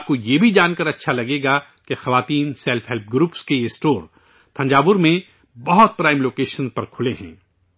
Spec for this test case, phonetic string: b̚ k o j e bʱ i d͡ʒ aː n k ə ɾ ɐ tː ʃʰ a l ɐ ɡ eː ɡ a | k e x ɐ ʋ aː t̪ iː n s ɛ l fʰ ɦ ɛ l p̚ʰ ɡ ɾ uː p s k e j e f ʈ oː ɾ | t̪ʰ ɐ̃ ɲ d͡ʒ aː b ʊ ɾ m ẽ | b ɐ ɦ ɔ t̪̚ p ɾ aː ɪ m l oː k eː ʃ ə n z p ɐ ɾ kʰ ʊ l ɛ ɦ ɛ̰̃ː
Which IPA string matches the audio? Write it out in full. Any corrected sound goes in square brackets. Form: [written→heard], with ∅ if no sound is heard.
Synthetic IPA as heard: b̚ k o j e bʱ i d͡ʒ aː n k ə ɾ ɐ tː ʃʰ a l ɐ ɡ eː ɡ a | k e x ɐ ʋ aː t̪ iː n s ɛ l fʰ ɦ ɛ l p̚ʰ ɡ ɾ uː p s k e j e [f→s] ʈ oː ɾ | t̪ʰ ɐ̃ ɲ d͡ʒ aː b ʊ ɾ m ẽ | b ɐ ɦ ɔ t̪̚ p ɾ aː ɪ m l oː k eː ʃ ə n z p ɐ ɾ kʰ ʊ l [ɛ→e] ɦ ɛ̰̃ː